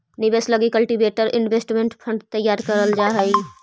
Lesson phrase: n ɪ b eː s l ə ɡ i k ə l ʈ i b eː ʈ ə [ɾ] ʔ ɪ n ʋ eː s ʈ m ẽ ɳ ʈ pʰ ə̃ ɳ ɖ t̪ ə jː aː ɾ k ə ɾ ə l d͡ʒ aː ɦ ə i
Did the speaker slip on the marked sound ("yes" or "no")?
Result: no